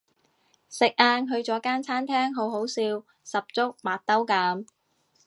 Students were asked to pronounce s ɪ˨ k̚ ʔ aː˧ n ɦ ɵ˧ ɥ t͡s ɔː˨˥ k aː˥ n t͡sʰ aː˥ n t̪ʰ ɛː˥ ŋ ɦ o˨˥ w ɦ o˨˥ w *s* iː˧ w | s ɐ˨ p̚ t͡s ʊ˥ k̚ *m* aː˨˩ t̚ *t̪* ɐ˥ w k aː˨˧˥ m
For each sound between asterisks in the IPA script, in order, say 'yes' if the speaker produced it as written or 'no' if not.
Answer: yes, yes, yes

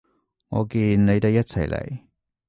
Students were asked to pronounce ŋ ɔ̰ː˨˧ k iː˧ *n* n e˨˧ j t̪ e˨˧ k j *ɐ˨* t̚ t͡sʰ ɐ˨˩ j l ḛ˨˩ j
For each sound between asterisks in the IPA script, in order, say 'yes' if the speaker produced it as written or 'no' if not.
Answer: yes, no

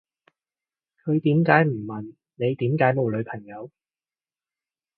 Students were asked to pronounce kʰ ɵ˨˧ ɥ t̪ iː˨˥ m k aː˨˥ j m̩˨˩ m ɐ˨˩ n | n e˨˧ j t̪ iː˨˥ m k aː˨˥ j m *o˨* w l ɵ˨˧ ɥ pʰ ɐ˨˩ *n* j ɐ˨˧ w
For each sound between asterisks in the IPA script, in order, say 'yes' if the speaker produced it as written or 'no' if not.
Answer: yes, no

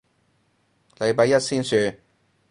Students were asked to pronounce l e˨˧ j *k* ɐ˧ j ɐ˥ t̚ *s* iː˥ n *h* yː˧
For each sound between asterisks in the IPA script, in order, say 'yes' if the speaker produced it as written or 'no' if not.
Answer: no, yes, no

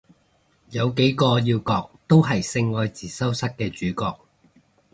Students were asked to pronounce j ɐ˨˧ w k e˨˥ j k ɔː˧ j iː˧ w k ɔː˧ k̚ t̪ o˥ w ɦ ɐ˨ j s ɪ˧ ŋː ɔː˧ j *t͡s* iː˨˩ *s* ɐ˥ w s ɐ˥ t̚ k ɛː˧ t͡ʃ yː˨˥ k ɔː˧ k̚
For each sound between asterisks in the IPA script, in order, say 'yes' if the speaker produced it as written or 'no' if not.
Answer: yes, yes

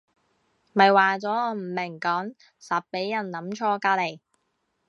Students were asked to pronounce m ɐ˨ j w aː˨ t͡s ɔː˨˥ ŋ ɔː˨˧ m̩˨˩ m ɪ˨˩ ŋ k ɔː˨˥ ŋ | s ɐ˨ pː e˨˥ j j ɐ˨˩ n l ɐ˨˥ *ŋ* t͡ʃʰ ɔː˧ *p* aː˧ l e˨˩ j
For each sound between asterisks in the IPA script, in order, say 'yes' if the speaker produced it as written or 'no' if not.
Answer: no, no

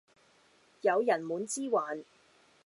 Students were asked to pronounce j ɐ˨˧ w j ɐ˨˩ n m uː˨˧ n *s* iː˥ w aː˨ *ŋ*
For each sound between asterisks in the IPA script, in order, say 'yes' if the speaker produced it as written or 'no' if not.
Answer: no, no

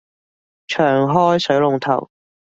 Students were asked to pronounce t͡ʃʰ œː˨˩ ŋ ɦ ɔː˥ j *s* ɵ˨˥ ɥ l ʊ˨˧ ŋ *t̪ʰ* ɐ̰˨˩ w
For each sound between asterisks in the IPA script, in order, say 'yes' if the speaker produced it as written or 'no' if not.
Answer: yes, yes

